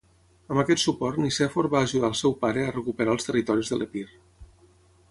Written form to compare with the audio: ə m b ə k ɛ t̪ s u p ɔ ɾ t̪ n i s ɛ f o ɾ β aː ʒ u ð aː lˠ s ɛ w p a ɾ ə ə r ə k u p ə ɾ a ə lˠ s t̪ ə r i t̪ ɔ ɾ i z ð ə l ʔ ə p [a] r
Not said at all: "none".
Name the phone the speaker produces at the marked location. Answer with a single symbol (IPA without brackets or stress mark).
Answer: i